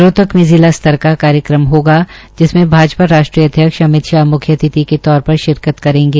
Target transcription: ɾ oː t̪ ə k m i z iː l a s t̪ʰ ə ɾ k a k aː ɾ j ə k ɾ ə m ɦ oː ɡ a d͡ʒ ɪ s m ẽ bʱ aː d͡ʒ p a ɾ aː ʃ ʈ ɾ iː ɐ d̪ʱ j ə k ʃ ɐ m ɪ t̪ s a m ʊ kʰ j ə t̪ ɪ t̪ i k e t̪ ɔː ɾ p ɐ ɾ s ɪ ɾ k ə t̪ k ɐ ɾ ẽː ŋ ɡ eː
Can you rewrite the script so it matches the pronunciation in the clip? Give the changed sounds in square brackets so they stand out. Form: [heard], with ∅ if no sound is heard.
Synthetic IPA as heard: ɾ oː t̪ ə k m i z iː l a s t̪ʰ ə ɾ k a k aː ɾ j ə k ɾ ə m ɦ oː ɡ a d͡ʒ ɪ s m ẽ bʱ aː d͡ʒ p a ɾ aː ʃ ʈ ɾ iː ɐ d̪ʱ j ə k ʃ ɐ m ɪ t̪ [ʃ] a m ʊ kʰ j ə t̪ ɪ t̪ i k e t̪ ɔː ɾ p ɐ ɾ [ʃ] ɪ ɾ k ə t̪ k ɐ ɾ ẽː ŋ ɡ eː